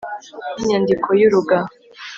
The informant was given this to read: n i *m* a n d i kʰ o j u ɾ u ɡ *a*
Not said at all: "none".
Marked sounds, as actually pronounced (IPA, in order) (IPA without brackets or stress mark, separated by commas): ɲ, a